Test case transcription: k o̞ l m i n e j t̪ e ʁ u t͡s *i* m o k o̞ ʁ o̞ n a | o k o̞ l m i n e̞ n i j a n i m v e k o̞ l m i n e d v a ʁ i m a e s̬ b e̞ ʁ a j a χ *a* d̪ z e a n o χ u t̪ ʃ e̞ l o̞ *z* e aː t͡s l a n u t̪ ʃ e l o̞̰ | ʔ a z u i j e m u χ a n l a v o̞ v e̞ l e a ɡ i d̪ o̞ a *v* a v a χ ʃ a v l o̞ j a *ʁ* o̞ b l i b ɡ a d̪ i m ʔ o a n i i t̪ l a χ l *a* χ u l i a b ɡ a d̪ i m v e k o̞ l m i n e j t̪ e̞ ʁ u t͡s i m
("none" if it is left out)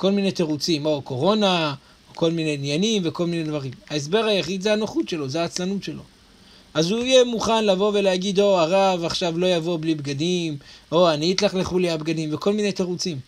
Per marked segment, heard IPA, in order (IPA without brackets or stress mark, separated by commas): i, i, z, ʁ, v, e